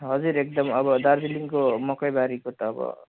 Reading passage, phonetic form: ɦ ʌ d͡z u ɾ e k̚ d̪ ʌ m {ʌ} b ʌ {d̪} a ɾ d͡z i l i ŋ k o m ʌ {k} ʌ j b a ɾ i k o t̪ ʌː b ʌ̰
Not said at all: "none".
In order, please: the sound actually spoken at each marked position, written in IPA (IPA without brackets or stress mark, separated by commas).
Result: ʌ, d̪, k